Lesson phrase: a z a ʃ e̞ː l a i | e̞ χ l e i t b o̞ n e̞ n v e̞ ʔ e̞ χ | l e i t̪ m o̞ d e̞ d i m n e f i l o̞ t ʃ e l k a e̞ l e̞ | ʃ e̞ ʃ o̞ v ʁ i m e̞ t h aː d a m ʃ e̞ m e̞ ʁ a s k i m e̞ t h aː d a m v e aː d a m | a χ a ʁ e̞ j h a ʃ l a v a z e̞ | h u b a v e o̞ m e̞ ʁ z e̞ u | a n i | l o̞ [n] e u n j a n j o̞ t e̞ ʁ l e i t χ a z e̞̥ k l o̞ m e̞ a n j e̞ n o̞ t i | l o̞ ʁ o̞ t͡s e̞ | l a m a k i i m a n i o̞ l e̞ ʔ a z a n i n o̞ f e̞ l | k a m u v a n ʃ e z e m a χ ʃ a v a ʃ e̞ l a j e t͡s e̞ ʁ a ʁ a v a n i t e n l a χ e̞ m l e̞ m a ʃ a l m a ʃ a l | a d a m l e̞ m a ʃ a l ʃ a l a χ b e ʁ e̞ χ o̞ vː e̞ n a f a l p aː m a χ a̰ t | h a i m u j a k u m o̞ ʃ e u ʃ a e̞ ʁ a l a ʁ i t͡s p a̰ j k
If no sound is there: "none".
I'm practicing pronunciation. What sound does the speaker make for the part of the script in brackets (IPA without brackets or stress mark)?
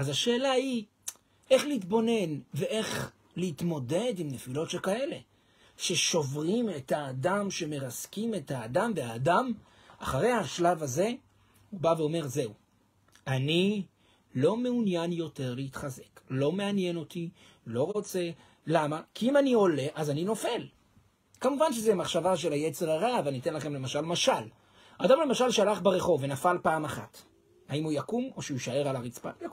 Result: m